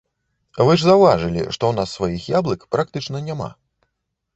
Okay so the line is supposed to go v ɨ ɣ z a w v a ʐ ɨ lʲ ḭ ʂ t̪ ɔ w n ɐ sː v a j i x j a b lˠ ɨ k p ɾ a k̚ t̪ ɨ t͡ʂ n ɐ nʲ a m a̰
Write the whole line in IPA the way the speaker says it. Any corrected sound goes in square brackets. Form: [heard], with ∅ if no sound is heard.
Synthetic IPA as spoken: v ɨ [ʐ] z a w v a ʐ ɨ lʲ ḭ ʂ t̪ ɔ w n [a] sː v a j i x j a b lˠ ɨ k p ɾ a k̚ t̪ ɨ t͡ʂ n ɐ nʲ a m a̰